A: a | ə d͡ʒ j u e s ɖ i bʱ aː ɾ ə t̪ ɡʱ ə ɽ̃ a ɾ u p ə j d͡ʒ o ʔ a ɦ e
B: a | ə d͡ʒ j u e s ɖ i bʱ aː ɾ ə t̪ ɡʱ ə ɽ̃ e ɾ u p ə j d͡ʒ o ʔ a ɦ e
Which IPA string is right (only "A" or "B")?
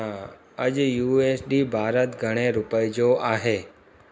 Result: B